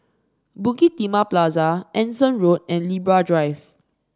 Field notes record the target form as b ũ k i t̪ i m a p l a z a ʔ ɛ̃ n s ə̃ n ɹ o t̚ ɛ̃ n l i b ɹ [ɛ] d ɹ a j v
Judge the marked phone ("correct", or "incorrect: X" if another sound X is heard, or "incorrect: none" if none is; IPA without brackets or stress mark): incorrect: a